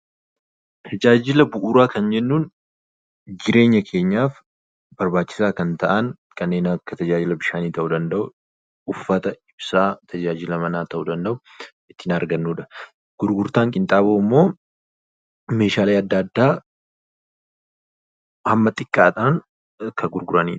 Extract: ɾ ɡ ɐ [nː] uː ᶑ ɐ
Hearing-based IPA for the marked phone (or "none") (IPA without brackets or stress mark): nː